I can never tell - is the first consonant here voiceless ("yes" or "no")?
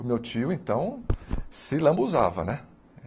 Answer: no